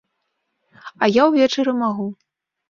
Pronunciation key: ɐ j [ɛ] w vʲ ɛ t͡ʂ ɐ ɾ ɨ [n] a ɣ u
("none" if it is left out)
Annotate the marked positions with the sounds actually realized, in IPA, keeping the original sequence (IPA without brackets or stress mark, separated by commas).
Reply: a, m